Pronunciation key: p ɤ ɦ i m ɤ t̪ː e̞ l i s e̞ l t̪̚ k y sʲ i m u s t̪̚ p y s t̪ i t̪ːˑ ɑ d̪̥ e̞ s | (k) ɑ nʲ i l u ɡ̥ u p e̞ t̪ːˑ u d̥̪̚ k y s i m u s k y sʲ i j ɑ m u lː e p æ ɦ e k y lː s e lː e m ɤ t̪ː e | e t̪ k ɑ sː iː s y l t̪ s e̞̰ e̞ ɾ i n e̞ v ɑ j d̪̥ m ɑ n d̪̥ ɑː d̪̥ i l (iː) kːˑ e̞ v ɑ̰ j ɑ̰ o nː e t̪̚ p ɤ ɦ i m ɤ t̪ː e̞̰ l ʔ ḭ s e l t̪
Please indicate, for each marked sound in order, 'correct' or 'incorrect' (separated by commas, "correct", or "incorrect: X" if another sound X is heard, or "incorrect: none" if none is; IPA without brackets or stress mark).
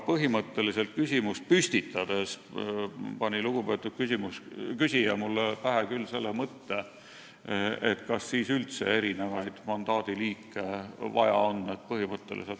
incorrect: p, correct